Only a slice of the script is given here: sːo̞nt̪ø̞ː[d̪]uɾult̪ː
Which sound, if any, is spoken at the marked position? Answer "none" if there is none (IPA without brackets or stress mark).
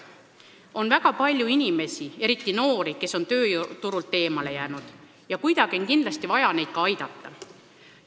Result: t̪